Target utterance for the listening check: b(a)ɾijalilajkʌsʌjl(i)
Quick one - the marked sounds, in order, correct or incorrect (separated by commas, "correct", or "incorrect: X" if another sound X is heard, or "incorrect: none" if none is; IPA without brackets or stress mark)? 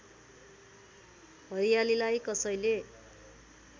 incorrect: ʌ, incorrect: e